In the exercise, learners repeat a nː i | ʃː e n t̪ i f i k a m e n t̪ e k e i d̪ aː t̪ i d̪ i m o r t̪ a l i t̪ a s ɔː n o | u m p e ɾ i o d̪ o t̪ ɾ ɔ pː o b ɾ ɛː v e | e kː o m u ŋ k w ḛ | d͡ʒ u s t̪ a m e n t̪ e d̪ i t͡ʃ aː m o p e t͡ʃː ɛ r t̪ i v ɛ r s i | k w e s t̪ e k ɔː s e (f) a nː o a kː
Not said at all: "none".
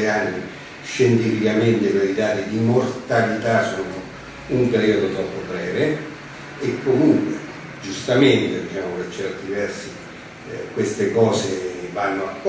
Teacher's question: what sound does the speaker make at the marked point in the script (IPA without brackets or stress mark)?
v